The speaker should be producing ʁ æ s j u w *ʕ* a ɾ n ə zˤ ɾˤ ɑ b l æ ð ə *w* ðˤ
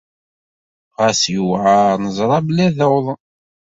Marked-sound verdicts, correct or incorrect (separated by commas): correct, correct